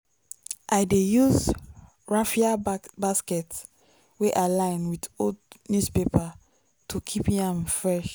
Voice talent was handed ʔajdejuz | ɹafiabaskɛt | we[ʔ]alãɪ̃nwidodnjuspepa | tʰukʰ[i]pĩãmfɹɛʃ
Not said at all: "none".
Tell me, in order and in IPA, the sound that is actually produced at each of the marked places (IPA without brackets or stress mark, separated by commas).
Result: ʔ, i